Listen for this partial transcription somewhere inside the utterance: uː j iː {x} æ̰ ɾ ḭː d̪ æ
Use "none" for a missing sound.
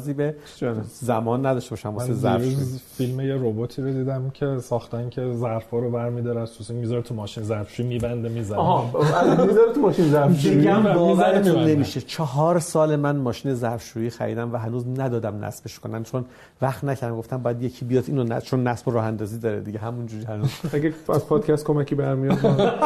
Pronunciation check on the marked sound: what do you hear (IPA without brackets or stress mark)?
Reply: x